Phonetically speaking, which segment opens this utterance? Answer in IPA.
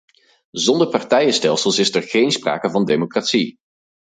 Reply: z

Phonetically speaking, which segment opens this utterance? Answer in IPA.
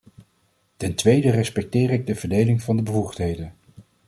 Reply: t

